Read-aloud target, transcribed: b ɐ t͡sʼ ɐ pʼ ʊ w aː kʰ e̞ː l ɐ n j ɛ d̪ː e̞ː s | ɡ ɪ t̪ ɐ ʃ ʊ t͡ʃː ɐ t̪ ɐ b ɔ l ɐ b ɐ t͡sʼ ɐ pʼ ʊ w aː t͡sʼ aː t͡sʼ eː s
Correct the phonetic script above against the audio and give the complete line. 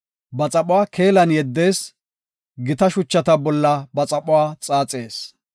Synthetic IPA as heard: b ɐ t͡sʼ ɐ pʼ ʊ w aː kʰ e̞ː l ɐ n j ɛ d̪ː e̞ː s | ɡ ɪ t̪ ɐ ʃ ʊ t͡ʃː ɐ t̪ ɐ b ɔ lː ɐ b ɐ t͡sʼ ɐ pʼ ʊ w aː t͡sʼ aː t͡sʼ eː s